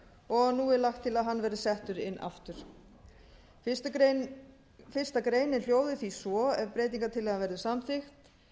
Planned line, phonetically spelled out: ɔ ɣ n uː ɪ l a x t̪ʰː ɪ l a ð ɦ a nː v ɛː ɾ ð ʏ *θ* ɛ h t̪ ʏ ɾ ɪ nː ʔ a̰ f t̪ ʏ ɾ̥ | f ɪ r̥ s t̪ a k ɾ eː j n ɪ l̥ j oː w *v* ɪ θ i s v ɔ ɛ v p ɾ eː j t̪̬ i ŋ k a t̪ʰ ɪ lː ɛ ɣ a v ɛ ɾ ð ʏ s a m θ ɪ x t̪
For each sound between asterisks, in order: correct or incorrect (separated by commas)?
incorrect, incorrect